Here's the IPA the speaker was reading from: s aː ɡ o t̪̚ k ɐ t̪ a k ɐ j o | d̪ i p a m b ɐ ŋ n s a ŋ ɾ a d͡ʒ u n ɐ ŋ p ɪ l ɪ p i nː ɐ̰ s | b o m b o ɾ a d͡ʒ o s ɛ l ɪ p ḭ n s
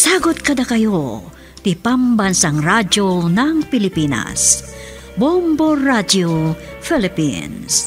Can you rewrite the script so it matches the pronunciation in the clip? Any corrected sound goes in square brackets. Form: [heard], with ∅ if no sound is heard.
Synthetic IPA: s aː ɡ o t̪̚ k ɐ [d̪] a k ɐ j o | [t̪] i p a m b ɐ [∅] n s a ŋ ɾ a d͡ʒ [o] n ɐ ŋ p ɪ l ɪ p i [n] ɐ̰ s | b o m b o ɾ a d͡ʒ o [f] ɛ l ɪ p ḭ n s